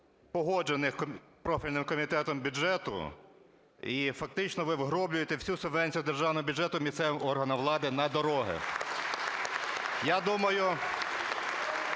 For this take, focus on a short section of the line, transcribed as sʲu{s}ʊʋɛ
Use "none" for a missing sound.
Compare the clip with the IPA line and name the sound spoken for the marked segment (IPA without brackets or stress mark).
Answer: s